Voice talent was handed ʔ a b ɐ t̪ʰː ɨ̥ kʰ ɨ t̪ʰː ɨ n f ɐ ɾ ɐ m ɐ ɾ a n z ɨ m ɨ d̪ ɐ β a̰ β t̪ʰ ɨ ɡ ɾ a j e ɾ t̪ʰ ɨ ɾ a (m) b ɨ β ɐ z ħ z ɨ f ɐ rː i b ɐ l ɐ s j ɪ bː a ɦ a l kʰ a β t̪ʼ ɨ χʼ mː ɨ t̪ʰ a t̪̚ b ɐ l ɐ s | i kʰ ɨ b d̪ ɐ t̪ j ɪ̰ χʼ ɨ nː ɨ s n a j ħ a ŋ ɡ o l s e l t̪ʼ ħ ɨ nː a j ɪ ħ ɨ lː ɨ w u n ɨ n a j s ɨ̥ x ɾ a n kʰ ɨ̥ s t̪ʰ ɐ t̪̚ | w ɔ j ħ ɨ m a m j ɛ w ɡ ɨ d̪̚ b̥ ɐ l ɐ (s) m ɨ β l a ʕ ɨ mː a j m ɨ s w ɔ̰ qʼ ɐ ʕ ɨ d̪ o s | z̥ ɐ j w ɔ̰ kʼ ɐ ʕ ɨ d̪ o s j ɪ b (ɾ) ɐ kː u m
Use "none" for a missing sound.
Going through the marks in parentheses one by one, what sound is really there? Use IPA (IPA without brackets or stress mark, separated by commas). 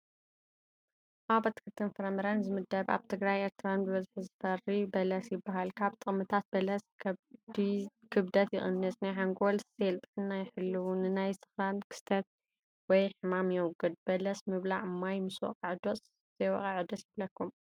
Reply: n, s, l